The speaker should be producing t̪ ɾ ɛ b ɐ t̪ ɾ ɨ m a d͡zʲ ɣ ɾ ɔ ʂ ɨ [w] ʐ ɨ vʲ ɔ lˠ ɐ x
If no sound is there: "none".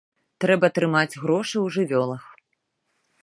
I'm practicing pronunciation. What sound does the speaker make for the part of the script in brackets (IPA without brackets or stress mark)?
w